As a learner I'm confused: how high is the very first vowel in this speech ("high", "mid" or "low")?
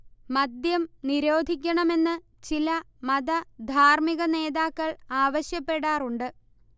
low